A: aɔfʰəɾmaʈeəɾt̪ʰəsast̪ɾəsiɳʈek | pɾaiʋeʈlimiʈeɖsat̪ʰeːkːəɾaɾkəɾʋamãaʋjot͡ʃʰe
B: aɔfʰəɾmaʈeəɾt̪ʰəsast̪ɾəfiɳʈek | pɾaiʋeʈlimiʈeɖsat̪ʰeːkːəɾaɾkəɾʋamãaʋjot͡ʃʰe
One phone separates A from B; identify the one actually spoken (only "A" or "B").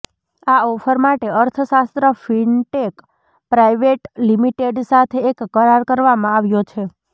B